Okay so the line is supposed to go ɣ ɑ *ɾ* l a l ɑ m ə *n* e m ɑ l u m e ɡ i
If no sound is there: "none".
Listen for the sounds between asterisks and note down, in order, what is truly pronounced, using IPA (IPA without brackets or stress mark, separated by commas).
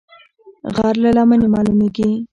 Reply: ɾ, n